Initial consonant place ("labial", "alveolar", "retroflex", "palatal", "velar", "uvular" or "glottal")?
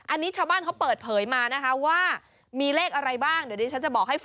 glottal